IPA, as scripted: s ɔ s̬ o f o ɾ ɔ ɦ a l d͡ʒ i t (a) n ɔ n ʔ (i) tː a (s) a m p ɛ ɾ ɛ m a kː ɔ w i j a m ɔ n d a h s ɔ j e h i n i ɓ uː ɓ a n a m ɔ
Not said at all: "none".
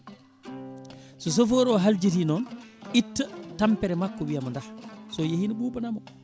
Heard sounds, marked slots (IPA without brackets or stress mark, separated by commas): i, i, t